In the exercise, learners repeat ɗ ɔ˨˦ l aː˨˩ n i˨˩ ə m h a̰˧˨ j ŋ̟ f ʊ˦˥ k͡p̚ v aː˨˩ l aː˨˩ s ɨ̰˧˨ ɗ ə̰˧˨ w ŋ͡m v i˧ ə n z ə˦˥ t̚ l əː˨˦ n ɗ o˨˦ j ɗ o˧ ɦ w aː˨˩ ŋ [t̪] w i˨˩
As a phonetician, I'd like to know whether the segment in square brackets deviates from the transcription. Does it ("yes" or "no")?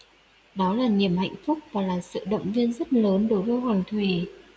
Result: yes